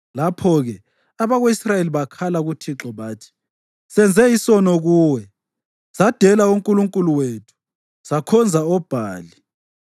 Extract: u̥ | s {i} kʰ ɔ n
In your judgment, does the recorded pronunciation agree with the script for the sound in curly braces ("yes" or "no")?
no